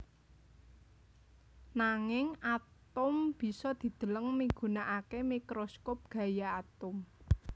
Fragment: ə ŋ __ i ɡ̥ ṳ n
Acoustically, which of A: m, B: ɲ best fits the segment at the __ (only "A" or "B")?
A